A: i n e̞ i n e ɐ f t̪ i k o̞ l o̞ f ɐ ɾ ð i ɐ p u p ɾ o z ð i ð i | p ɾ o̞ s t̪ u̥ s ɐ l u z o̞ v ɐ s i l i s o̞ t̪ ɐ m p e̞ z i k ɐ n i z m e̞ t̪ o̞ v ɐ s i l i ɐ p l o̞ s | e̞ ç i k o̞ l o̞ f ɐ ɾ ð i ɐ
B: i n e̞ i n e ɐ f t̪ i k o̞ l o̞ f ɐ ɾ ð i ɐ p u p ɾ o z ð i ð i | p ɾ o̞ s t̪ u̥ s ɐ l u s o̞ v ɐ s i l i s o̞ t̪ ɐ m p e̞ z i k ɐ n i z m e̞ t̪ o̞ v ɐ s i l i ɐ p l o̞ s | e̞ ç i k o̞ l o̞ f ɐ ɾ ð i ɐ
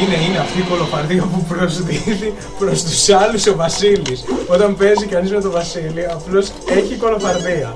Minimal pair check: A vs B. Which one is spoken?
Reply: B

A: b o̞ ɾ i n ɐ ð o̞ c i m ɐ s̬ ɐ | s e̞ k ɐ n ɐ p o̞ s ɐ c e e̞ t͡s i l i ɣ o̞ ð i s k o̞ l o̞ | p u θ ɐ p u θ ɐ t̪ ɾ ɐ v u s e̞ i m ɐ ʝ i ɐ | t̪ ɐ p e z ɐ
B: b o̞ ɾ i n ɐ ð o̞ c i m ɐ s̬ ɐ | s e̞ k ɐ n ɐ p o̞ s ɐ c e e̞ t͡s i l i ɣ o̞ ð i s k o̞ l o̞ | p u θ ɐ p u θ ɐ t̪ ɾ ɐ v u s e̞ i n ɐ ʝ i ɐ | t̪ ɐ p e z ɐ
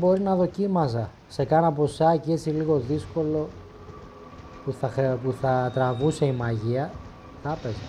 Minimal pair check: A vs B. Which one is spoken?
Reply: A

